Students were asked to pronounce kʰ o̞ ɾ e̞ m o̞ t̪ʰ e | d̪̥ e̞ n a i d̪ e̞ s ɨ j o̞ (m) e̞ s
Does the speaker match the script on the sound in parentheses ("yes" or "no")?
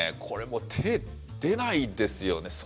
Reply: no